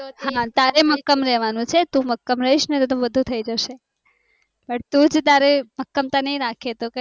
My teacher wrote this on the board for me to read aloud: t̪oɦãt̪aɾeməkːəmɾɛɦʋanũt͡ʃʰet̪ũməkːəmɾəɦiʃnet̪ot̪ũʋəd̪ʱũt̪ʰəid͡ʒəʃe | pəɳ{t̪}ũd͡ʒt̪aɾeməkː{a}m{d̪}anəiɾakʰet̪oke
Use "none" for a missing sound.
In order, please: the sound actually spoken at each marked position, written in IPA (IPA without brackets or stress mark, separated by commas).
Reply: t̪, ə, t̪